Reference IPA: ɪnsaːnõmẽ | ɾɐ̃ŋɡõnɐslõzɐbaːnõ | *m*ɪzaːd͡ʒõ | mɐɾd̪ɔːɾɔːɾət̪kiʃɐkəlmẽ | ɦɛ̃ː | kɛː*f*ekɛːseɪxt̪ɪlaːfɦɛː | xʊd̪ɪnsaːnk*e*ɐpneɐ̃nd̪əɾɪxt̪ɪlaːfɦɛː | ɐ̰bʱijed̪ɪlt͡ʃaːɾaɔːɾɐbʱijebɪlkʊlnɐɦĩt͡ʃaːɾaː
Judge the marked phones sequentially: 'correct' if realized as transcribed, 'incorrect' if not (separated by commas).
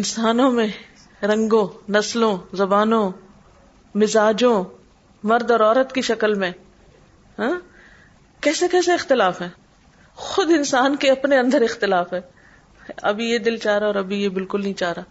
correct, incorrect, correct